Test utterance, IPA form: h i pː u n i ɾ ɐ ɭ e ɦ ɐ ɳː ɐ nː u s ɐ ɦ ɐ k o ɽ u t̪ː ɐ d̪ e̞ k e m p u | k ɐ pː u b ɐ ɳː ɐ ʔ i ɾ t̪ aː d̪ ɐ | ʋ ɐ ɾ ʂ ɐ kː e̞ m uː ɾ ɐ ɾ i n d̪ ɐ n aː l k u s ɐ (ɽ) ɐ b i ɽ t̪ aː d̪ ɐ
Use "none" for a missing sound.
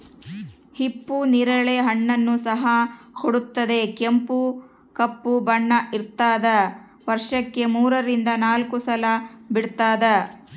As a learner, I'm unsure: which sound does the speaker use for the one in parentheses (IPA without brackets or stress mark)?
l